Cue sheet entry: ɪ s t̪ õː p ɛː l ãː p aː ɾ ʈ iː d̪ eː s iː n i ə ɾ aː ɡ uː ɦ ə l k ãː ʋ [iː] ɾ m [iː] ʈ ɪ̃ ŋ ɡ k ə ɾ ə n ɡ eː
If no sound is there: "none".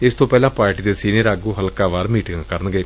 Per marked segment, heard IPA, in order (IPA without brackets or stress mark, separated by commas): aː, iː